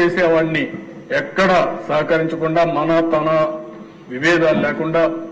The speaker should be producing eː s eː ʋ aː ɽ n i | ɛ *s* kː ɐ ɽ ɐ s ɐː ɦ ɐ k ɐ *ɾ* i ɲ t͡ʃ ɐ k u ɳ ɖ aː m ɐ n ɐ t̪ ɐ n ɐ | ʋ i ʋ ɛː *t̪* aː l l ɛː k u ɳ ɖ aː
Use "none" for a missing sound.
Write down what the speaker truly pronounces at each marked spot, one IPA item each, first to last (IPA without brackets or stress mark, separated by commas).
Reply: none, ɾ, d̪